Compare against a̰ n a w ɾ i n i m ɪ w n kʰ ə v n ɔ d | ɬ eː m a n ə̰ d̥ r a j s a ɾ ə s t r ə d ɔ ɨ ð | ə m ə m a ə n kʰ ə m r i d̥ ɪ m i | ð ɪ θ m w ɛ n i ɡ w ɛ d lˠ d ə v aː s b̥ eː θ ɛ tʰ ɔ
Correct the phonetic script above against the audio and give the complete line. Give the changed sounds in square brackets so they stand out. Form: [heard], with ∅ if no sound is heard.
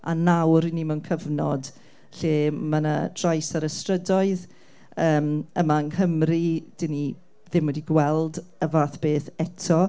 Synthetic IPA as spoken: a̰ n a w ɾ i n i m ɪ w n kʰ ə v n ɔ d | ɬ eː m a n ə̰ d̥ r a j s a ɾ ə s t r ə d ɔ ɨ ð | [əː] m ə m a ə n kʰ ə m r i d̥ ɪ [n] i | ð ɪ [∅] m w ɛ [d] i ɡ w ɛ [∅] lˠ d ə v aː [θ] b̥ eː θ ɛ tʰ ɔ

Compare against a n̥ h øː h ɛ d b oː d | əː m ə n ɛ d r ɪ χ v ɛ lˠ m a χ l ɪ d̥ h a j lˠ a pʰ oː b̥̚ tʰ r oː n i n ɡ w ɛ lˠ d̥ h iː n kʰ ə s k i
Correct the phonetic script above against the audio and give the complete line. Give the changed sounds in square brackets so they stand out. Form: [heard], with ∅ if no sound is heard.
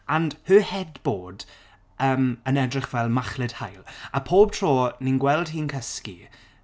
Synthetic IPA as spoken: a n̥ h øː h ɛ d b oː d | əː m ə n ɛ d r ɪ χ v ɛ lˠ m a χ l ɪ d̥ h a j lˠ a pʰ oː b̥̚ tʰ r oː n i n ɡ w ɛ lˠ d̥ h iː n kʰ ə s k i

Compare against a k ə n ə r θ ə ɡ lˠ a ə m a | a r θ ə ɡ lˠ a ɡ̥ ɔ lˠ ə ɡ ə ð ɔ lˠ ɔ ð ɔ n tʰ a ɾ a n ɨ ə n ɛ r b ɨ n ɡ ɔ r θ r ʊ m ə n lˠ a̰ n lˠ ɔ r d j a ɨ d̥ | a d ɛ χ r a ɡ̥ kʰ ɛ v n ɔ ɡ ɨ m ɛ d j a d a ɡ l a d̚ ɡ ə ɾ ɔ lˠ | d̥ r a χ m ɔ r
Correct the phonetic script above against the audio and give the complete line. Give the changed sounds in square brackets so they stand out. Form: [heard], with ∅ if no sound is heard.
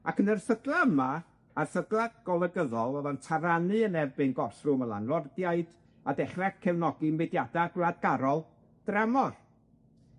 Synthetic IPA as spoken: a k ə n ə r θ ə ɡ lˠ a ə m a | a r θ ə ɡ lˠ a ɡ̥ ɔ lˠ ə ɡ ə ð ɔ lˠ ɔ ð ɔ n tʰ a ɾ a n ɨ ə n ɛ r b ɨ n ɡ ɔ r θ r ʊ m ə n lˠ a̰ n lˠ ɔ r d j a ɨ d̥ | a d ɛ χ r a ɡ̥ kʰ ɛ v n ɔ ɡ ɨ m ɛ d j a d a ɡ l a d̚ ɡ [a] ɾ ɔ lˠ | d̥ r a [∅] m ɔ r

